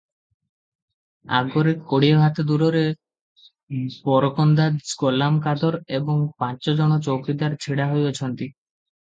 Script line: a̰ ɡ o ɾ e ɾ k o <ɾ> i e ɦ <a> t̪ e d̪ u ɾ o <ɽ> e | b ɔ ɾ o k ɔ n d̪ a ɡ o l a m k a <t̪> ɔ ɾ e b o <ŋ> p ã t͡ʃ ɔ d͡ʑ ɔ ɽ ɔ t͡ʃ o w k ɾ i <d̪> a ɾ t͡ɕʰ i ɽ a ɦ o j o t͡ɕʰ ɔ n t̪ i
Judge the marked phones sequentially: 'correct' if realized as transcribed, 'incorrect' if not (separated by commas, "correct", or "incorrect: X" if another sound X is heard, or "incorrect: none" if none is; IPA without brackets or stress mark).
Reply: incorrect: ɽ, correct, incorrect: ɾ, incorrect: d̪, correct, correct